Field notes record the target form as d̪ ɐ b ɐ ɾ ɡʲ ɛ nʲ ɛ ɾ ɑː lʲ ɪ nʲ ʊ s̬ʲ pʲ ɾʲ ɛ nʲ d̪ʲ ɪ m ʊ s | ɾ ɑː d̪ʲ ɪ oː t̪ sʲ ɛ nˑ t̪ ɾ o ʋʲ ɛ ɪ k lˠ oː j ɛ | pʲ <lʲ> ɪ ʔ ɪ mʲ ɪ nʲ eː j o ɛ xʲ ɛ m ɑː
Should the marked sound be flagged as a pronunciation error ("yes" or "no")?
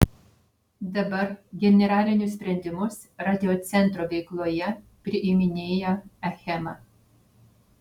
yes